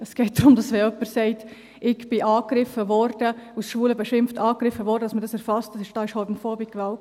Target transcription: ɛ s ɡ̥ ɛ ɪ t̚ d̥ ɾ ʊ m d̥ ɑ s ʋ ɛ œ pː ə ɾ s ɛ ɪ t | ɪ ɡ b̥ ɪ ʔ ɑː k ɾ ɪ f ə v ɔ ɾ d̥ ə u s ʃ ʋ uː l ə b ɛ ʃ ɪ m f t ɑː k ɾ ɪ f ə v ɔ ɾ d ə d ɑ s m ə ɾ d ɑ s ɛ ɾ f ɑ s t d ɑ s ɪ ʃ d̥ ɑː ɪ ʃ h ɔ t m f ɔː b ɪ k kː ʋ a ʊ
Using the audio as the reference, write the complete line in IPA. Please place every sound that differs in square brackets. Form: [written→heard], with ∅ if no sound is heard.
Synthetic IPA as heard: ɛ s ɡ̥ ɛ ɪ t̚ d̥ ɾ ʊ m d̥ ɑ s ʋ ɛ œ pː ə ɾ s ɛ ɪ t | ɪ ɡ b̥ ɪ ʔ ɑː k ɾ ɪ f ə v ɔ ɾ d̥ ə u s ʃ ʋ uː l ə b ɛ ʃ ɪ m f t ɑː k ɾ ɪ f ə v ɔ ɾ d ə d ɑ s m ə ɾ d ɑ s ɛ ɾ f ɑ s t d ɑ s ɪ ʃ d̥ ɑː ɪ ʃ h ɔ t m f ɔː b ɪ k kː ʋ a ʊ